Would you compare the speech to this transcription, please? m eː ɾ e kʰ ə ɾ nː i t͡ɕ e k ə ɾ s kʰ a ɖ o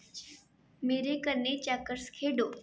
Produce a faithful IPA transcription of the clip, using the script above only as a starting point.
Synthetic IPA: m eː ɾ e k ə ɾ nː e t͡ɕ a k ə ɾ s kʰ e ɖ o